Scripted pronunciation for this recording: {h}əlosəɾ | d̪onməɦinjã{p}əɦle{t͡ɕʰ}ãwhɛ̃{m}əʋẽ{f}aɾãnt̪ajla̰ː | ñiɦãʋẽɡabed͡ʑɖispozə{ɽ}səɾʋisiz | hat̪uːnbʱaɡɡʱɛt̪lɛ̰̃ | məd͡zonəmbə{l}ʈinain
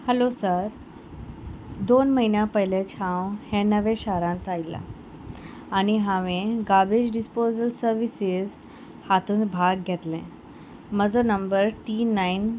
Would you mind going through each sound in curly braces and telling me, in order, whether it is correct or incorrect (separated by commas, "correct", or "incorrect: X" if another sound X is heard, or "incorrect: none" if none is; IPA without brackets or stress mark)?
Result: correct, correct, correct, incorrect: n, incorrect: ɕ, incorrect: l, incorrect: ɾ